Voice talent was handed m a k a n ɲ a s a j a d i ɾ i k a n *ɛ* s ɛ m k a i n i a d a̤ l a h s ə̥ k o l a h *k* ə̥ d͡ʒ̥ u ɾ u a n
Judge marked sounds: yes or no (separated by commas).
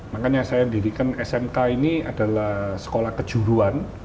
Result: yes, yes